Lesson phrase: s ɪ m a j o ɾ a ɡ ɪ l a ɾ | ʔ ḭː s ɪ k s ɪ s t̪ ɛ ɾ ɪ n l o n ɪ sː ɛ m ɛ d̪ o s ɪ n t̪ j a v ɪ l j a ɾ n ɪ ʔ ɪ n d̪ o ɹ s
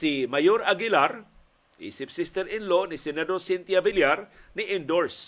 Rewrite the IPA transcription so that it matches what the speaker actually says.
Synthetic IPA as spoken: s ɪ m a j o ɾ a ɡ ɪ l a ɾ | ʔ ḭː s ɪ p s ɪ s t̪ ɛ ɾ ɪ n l o n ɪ s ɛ n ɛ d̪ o s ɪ n t̪ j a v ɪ l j a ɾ n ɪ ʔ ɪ n d̪ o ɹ s